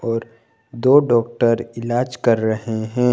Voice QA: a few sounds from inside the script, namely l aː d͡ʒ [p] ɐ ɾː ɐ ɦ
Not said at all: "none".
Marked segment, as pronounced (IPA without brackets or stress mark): k